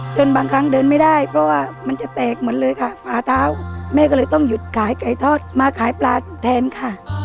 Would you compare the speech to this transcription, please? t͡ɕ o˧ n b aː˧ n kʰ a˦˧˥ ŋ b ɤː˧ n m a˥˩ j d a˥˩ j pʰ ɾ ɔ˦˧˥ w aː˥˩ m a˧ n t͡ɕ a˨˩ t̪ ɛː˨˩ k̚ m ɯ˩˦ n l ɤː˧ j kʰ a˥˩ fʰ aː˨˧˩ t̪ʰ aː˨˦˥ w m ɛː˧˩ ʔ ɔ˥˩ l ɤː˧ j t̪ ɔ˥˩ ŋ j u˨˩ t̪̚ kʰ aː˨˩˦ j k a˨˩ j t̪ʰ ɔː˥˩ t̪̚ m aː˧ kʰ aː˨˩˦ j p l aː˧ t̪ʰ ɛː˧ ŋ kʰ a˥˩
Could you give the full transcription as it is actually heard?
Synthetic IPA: t͡ɕ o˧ n b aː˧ ŋ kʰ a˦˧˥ ŋ d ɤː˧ n m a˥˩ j d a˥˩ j pʰ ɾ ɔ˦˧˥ w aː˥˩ m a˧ n t͡ɕ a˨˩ t̪ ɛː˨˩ k̚ m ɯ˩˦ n l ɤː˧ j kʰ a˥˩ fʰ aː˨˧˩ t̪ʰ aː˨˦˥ w m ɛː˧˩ k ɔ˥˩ l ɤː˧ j t̪ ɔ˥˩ ŋ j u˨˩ t̪̚ kʰ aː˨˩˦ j k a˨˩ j t̪ʰ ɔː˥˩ t̪̚ m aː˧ kʰ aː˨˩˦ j p l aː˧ t̪ʰ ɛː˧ n kʰ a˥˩

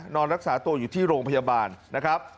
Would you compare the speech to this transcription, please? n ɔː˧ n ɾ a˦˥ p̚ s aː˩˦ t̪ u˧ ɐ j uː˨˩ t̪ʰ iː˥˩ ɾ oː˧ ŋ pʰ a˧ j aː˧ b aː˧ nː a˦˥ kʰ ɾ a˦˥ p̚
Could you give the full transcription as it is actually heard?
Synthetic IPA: n ɔː˧ n ɾ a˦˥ k̚ s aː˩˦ t̪ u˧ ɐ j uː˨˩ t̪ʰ iː˥˩ ɾ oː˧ ŋ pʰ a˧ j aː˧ b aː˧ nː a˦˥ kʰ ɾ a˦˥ p̚

